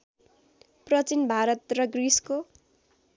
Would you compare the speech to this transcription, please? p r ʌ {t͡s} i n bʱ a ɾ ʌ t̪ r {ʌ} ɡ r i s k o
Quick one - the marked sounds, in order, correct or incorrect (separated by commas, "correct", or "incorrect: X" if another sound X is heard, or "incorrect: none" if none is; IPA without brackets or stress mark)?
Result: correct, correct